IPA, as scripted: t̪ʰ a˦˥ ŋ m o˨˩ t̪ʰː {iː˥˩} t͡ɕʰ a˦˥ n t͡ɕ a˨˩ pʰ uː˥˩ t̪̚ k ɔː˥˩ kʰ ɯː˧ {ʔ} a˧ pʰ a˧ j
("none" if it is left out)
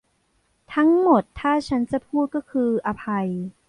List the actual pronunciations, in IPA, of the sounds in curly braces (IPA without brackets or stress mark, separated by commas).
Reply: aː˥˩, ʔ